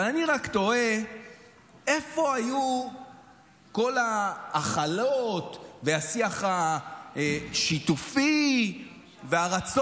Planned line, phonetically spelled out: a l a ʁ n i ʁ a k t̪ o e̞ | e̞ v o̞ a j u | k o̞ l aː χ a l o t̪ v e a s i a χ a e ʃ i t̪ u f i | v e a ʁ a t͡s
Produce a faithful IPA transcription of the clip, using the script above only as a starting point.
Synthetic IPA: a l a n i ʁ a k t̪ o e̞ | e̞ f o̞ a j u | k o̞ l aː χ a l o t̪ v e a s i a χ a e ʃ i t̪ u f i | v e a ʁ a t͡s